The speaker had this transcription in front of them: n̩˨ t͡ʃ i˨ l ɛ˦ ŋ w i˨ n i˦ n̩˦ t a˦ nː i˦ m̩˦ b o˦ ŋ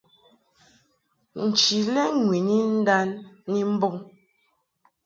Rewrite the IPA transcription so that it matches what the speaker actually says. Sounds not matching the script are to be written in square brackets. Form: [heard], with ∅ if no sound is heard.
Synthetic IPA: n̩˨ t͡ʃ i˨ l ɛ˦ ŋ w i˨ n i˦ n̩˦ [d] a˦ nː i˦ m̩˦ b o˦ ŋ